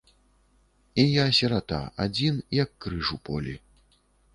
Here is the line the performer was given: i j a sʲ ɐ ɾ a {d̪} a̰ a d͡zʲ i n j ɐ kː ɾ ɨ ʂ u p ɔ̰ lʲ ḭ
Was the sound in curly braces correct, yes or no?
no